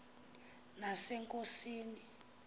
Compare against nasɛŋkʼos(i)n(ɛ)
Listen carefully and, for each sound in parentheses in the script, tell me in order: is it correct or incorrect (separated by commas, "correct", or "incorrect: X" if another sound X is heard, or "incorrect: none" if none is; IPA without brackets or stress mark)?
incorrect: iː, incorrect: i